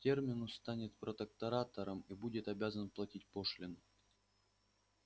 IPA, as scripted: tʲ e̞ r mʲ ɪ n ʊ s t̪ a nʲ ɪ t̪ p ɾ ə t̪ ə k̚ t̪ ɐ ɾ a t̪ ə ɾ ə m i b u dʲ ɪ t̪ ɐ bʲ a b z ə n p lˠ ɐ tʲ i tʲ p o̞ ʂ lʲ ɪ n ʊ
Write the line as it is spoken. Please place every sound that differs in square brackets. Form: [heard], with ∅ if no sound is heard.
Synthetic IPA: tʲ e̞ r mʲ ɪ n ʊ s t̪ a nʲ ɪ t̪ p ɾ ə t̪ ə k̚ t̪ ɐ ɾ a t̪ ə ɾ ə m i b u dʲ ɪ t̪ ɐ bʲ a [∅] z ə n p lˠ ɐ tʲ i tʲ p o̞ ʂ lʲ ɪ n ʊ